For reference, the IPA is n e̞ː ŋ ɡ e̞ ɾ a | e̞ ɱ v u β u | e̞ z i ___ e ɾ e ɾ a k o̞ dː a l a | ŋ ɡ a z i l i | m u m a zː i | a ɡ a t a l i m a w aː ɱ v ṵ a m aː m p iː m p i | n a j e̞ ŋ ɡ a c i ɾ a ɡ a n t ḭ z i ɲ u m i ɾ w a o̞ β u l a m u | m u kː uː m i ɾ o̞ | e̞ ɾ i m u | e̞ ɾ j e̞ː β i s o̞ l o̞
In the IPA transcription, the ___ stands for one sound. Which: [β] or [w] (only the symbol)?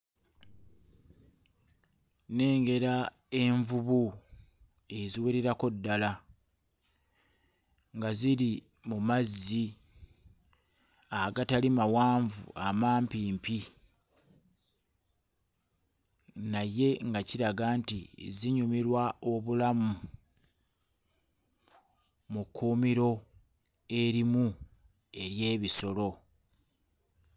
w